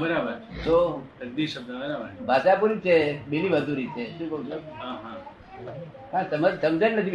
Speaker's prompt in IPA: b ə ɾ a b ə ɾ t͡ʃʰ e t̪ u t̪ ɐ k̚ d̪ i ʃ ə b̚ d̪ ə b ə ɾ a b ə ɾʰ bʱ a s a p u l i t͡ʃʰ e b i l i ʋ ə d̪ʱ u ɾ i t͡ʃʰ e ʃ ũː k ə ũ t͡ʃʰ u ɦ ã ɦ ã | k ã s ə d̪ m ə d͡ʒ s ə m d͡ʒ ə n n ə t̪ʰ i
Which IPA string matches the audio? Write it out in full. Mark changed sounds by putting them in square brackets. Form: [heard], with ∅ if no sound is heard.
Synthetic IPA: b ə ɾ a b ə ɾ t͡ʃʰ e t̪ [o] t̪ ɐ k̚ d̪ i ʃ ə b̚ d̪ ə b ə ɾ a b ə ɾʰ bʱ a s a p u [ɾ] i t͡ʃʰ e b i l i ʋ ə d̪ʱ u ɾ i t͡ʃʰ e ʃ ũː k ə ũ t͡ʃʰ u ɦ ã ɦ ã | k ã s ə [∅] m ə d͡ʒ s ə m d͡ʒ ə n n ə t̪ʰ i